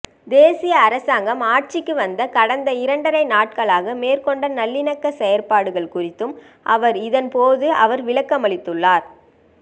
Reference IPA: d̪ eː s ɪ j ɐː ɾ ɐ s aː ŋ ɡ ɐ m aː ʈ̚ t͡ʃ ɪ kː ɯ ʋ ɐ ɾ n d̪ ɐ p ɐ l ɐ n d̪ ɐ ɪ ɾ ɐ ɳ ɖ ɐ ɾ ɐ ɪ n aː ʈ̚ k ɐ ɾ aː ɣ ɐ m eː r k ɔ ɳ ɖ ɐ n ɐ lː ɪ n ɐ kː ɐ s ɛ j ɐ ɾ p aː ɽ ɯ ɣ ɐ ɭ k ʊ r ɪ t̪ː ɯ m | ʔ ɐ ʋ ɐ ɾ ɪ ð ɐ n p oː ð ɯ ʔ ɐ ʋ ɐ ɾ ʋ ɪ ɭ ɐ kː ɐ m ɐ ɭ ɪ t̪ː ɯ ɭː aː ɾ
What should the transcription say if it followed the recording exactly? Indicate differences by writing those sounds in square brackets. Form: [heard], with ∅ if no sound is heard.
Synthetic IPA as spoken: d̪ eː s ɪ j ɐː ɾ ɐ s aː ŋ ɡ ɐ m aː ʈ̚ t͡ʃ ɪ kː ɯ ʋ ɐ [∅] n d̪ ɐ [k] ɐ [ɽ] ɐ n d̪ ɐ ɪ ɾ ɐ ɳ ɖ ɐ ɾ ɐ ɪ n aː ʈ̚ k ɐ [ɭ] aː ɣ ɐ m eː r k ɔ ɳ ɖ ɐ n ɐ lː ɪ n ɐ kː ɐ s ɛ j ɐ ɾ p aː ɽ ɯ ɣ ɐ ɭ k ʊ r ɪ t̪ː ɯ m | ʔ ɐ ʋ ɐ ɾ ɪ ð ɐ n p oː ð ɯ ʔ ɐ ʋ ɐ ɾ ʋ ɪ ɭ ɐ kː ɐ m ɐ ɭ ɪ t̪ː ɯ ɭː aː ɾ